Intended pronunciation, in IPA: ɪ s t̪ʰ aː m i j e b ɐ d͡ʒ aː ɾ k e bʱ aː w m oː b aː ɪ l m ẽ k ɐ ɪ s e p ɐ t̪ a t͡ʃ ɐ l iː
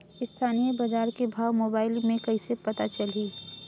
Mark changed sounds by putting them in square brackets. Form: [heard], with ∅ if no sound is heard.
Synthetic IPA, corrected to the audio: ɪ s t̪ʰ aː [n] i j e b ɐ d͡ʒ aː ɾ k e bʱ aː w m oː b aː ɪ l m ẽ k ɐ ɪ s e p ɐ t̪ a t͡ʃ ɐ l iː